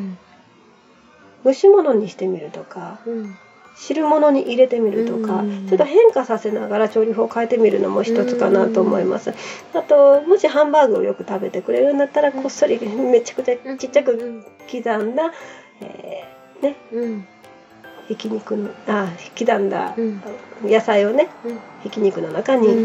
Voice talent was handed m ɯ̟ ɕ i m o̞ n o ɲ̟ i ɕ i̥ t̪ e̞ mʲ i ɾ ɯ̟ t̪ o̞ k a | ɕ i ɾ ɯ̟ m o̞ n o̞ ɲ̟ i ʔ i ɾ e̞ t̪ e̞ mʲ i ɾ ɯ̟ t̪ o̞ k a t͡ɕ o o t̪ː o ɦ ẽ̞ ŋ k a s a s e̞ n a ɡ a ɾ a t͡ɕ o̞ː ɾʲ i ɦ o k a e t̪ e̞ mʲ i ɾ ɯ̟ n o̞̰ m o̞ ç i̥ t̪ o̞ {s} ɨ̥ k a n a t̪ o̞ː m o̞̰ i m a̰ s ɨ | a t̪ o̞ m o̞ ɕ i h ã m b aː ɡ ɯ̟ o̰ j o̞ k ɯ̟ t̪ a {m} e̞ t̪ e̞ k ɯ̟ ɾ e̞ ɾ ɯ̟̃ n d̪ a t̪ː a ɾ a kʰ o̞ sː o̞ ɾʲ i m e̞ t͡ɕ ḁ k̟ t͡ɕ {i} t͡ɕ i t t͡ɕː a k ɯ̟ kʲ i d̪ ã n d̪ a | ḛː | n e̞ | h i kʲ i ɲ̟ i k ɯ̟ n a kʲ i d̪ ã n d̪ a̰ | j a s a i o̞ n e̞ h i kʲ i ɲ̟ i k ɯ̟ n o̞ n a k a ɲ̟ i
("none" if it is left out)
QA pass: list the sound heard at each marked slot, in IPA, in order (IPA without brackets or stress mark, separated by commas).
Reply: t͡s, b, a